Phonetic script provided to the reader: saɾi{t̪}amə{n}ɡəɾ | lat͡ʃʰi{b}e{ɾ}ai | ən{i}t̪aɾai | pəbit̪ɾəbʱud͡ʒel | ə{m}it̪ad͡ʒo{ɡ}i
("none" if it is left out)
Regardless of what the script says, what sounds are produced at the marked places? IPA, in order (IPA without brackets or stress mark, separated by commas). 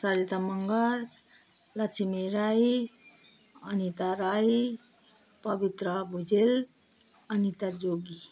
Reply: t̪, ŋ, m, ɾ, i, n, ɡ